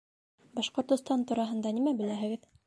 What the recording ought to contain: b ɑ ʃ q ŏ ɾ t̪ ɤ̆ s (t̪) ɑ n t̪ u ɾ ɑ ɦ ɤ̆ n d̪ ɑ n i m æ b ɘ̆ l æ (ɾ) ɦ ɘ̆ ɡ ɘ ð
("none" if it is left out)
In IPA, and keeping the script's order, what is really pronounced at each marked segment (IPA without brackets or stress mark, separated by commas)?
t̪, none